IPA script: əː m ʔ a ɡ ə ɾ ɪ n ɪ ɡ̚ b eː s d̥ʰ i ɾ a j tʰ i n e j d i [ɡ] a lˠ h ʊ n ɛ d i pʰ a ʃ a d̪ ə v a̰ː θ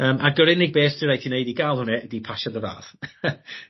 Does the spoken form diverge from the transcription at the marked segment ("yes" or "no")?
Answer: no